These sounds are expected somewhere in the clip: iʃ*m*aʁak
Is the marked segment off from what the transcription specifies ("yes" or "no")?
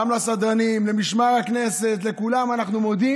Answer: no